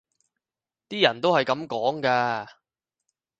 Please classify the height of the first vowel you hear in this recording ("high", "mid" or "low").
high